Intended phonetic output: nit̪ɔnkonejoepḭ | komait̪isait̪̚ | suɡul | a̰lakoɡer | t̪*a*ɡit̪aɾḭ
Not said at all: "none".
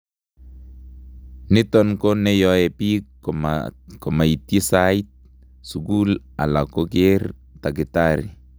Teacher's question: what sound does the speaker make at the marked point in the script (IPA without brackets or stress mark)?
a